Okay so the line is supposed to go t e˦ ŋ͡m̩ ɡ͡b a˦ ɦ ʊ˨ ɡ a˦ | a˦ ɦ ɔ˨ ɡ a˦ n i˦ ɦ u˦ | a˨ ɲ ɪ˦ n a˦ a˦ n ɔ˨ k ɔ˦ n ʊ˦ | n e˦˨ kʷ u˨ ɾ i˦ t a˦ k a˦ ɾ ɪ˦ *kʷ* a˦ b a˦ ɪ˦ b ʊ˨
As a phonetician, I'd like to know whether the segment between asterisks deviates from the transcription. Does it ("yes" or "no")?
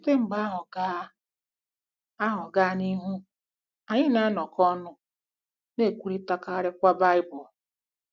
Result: no